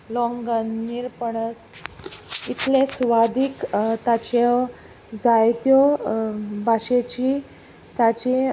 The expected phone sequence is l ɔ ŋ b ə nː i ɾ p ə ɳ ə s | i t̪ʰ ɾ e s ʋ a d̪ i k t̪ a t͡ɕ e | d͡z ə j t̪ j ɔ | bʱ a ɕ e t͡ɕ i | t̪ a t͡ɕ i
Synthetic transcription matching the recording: l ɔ ŋ ɡ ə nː i ɾ p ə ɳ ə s | i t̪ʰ l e s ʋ a d̪ i k t̪ a t͡ɕ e | d͡z a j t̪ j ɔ | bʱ a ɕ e t͡ɕ i | t̪ a t͡ɕ i

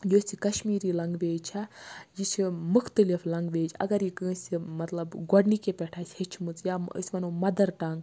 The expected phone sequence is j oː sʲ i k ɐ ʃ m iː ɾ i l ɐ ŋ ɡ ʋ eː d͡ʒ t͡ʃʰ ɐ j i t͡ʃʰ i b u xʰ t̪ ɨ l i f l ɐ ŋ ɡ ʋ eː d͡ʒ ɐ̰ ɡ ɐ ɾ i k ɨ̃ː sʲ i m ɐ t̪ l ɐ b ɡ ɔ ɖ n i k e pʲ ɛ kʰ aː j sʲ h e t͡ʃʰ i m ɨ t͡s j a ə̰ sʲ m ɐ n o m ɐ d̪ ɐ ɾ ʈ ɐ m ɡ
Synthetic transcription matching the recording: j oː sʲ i k ɐ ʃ m iː ɾ i l ɐ ŋ ɡ ʋ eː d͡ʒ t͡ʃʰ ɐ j i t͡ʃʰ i m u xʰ t̪ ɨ l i f l ɐ ŋ ɡ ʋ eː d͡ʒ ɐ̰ ɡ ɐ ɾ i k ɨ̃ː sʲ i m ɐ t̪ l ɐ b ɡ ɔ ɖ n i k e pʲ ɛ ʈʰ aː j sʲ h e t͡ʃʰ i m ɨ t͡s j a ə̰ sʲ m ɐ n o m ɐ d̪ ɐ ɾ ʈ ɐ ŋ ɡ

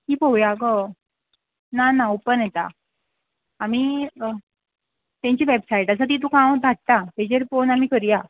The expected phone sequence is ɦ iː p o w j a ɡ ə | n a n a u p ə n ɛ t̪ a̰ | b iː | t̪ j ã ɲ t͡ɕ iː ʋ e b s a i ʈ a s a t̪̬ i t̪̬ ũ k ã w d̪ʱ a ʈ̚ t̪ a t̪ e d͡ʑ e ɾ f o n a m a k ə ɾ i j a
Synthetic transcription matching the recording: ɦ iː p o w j a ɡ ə | n a n a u p ə n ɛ t̪ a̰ | m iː | t̪ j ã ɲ t͡ɕ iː ʋ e b s a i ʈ a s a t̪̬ i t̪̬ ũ k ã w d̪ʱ a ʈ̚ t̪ a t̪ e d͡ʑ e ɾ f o n a m i k ə ɾ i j a

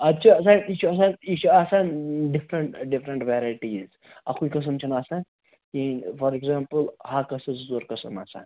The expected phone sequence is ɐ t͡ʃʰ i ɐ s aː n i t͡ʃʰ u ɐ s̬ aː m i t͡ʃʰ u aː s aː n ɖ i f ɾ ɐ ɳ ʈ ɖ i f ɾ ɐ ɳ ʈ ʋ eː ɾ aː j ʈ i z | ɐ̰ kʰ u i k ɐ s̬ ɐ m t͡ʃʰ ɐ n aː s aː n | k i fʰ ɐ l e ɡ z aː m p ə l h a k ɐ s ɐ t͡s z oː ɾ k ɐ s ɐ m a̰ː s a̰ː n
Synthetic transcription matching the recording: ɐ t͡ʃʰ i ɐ s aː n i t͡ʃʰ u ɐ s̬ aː n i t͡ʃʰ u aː s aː n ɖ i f ɾ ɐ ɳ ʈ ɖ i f ɾ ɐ ɳ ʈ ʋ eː ɾ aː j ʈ i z | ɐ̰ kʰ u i k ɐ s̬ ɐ m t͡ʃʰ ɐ n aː s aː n | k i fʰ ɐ ɾ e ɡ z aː m p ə l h a k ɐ s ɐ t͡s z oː ɾ k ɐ s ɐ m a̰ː s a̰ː n

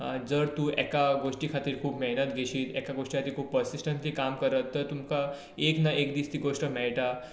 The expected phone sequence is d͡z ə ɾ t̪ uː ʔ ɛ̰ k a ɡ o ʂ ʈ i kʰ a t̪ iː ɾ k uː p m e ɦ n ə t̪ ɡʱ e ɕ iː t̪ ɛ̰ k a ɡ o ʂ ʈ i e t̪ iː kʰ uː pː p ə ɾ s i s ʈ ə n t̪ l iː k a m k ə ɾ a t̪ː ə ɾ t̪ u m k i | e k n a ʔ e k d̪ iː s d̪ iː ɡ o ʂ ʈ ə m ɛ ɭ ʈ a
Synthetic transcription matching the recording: d͡z ə ɾ t̪ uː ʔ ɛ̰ k a ɡ o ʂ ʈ i kʰ a t̪ iː ɾ kʰ uː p m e ɦ n ə t̪ ɡʱ e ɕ iː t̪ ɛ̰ k a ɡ o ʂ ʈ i a t̪ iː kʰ uː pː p ə ɾ s i s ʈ ə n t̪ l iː k a m k ə ɾ ə t̪ː ə ɾ t̪ u m k a | e k n a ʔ e k d̪ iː s t̪ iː ɡ o ʂ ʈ ə m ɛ ɭ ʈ a

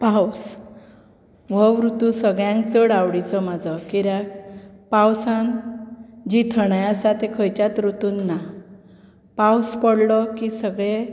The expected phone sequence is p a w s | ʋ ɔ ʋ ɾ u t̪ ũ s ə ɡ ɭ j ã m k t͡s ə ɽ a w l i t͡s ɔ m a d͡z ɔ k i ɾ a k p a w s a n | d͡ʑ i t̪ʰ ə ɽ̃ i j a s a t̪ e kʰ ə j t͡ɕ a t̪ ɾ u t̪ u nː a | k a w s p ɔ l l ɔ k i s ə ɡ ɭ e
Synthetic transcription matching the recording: p a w s | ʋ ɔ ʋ ɾ u t̪ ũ s ə ɡ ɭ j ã ŋ k t͡s ə ɽ a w ɽ i t͡s ɔ m a d͡z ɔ k i ɾ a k p a w s a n | d͡ʑ i t̪ʰ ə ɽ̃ a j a s a t̪ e kʰ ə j t͡ɕ a t̪ ɾ u t̪ u nː a | p a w s p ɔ ɽ l ɔ k i s ə ɡ ɭ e

